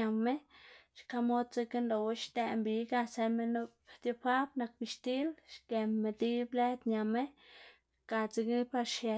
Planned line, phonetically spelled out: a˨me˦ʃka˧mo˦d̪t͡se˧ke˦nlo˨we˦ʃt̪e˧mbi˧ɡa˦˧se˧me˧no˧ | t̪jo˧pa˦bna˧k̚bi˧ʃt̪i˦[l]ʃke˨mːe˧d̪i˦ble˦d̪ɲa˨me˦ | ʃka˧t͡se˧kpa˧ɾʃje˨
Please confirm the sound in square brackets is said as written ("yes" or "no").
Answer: yes